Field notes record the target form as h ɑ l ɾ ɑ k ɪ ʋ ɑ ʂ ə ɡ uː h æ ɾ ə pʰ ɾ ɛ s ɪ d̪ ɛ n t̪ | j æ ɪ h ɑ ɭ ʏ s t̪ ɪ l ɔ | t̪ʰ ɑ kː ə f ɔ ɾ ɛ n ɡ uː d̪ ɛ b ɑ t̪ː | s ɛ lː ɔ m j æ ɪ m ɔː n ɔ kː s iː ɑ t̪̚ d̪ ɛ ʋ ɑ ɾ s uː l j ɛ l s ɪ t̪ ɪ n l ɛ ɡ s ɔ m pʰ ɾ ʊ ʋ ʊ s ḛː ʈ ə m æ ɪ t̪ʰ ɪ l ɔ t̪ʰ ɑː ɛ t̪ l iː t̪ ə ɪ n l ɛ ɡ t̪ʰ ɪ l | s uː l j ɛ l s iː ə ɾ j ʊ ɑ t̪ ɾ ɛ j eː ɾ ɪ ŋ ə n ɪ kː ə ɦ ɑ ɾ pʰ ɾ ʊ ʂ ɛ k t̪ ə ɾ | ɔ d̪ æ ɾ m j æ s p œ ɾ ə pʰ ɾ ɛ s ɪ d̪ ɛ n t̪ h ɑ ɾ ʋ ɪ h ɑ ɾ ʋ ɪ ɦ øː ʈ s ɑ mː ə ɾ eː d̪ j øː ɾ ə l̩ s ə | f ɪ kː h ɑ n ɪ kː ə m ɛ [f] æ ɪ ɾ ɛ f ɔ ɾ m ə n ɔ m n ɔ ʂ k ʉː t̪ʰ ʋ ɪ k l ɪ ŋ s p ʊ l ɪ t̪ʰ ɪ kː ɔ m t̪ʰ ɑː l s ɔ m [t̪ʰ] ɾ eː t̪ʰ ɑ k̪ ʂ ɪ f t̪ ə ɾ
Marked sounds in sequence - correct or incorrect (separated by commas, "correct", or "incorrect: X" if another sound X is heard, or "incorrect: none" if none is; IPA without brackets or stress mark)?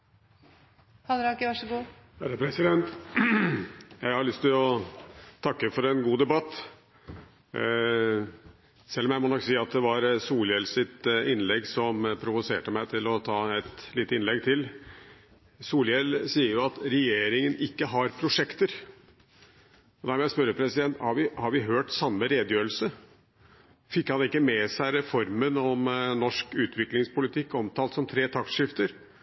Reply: incorrect: s, correct